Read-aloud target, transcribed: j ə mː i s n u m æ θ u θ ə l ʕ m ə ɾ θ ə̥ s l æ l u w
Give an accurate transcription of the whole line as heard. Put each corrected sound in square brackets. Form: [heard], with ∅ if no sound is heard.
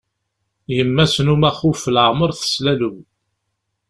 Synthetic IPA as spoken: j ə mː [æ] s n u m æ [χ] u [f] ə l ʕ m ə ɾ θ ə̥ s l æ l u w